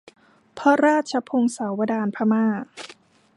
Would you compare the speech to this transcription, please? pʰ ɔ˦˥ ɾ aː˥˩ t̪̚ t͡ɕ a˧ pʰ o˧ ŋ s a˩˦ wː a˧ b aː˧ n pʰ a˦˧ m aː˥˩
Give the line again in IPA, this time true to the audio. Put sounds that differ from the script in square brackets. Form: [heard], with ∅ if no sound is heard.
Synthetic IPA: pʰ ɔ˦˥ ɾ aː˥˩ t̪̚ [t͡ɕʰ] a˧ pʰ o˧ ŋ s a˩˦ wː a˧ [d] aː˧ n pʰ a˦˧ m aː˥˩